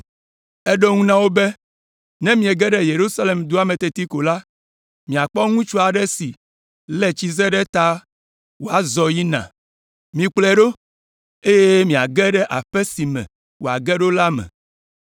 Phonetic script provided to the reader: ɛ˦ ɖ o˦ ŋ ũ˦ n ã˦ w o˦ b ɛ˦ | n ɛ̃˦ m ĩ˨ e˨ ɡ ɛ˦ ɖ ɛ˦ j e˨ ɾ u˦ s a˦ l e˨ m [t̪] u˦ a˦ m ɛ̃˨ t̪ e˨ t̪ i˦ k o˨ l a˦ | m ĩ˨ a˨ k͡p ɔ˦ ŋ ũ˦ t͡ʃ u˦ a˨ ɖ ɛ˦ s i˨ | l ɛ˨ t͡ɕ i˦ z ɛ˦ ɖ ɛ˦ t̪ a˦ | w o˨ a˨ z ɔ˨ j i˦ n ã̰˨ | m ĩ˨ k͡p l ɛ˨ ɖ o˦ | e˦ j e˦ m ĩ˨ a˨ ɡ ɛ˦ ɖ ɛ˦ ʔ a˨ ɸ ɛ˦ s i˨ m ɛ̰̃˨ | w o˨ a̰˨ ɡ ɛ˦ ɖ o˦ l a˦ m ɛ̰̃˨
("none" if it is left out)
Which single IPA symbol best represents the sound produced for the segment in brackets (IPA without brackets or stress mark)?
d̪